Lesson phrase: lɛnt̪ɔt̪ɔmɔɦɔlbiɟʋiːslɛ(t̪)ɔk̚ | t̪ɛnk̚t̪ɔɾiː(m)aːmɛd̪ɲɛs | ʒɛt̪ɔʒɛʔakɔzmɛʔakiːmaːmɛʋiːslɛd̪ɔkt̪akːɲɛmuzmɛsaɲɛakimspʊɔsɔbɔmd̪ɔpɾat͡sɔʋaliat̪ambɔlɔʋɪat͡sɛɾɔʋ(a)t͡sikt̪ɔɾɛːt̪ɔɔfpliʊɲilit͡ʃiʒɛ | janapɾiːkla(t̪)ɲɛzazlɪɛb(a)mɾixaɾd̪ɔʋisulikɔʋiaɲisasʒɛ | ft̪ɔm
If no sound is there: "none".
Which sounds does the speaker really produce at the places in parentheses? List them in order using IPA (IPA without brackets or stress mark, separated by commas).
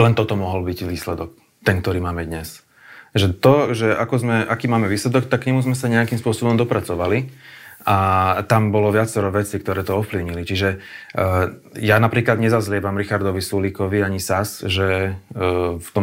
d̪, m, ɛ, d̪, a